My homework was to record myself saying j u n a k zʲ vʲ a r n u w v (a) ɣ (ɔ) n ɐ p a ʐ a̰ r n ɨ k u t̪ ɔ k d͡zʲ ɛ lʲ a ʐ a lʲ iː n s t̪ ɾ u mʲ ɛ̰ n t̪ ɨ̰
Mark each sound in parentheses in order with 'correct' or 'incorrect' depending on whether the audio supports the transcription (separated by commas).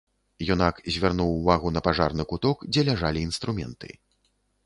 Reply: correct, incorrect